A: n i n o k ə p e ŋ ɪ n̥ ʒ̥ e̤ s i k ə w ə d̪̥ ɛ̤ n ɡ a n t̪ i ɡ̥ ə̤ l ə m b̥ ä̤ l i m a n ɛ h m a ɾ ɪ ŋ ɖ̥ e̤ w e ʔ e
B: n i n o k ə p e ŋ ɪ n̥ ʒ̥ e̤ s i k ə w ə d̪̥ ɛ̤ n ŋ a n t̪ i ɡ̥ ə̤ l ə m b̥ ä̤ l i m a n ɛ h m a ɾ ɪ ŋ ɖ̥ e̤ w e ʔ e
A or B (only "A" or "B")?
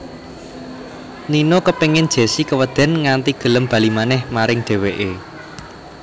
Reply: B